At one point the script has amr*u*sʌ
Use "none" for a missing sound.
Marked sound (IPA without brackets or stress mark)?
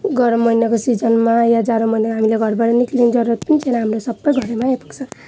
o